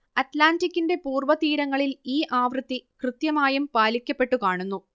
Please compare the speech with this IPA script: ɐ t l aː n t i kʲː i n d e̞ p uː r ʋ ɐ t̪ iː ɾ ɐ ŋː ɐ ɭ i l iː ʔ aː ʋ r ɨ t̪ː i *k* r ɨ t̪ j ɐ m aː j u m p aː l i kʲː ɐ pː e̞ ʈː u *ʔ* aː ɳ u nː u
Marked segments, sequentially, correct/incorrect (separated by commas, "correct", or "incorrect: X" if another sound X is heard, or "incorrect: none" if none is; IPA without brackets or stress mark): correct, incorrect: k